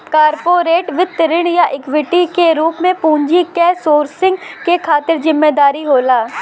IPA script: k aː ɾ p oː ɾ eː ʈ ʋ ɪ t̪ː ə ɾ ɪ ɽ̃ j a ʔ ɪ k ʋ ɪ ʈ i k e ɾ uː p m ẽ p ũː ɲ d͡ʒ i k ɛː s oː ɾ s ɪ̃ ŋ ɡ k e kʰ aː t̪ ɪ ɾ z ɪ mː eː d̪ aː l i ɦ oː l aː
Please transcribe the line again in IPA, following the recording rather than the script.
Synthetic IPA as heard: k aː ɾ p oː ɾ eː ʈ ʋ ɪ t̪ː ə ɾ ɪ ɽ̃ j a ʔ ɪ k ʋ ɪ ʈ i k e ɾ uː p m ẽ p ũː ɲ d͡ʒ i k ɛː s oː ɾ s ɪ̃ ŋ ɡ k e kʰ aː t̪ ɪ ɾ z ɪ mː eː d̪ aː ɾ i ɦ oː l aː